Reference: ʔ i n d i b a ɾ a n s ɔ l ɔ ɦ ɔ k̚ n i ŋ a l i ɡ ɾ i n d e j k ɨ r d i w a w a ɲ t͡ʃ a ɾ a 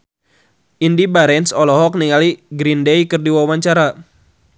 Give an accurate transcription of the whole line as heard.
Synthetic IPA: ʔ i n d i b a ɾ ɛ n s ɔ l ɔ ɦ ɔ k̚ n i ŋ a l i ɡ ɾ i n d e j k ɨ r d i w a w a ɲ t͡ʃ a ɾ a